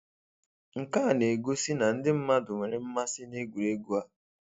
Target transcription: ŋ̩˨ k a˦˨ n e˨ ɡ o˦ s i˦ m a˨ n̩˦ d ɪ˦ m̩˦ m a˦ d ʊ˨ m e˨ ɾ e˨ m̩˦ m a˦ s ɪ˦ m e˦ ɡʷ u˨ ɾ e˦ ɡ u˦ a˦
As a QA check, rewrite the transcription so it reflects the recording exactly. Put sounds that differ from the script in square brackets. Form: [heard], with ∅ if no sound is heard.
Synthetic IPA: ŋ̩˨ k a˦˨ n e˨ ɡ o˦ s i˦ [n] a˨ n̩˦ d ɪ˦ m̩˦ m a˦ d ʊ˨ m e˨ ɾ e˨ m̩˦ m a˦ s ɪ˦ [n] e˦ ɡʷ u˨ ɾ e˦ ɡ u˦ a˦